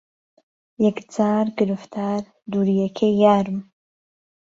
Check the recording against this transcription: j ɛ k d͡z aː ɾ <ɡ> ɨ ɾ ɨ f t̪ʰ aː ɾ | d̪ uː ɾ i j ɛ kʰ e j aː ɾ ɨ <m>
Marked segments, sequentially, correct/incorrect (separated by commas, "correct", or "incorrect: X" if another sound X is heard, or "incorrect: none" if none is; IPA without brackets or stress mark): correct, correct